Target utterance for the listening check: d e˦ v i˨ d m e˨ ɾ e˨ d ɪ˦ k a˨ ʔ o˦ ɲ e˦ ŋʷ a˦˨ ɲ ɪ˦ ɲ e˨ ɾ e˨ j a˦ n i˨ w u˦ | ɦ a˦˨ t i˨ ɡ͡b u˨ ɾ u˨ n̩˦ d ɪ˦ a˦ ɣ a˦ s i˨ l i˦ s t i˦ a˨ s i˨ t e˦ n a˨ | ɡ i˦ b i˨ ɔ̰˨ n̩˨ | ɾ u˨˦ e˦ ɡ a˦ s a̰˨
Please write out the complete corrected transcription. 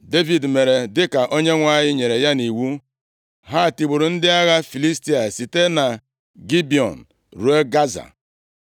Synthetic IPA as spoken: d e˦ v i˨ d m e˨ ɾ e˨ d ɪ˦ k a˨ ʔ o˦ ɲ e˦ ŋʷ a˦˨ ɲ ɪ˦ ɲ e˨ ɾ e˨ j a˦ n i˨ w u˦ | ɦ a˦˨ t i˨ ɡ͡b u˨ ɾ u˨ n̩˦ d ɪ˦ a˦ ɣ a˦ f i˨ l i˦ s t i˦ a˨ s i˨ t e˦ n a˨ | ɡ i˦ b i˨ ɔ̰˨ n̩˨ | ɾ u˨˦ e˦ ɡ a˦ z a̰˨

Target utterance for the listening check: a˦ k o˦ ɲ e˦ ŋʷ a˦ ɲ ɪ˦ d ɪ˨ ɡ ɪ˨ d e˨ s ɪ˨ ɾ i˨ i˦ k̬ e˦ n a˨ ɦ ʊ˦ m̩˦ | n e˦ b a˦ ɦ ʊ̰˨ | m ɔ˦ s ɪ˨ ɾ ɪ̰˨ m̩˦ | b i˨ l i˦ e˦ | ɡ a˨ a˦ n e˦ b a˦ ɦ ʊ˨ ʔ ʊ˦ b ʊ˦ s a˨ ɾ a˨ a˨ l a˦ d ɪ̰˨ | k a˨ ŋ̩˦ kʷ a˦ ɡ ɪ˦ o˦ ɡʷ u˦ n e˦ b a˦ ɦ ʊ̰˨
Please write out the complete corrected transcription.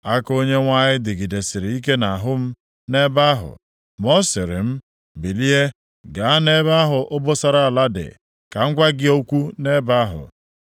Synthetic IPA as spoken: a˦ k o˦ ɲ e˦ ŋʷ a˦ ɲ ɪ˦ d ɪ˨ ɡ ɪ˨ d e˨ s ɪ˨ ɾ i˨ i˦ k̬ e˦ n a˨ ɦ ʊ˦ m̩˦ | n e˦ b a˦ ɦ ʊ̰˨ | m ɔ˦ s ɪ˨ ɾ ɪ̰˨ m̩˦ | b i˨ l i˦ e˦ | ɡ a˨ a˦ n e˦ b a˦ ɦ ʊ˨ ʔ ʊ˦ b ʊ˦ s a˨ ɾ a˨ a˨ l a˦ d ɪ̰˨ | k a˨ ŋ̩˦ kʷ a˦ ɡ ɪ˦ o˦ kʷ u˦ n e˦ b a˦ ɦ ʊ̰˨

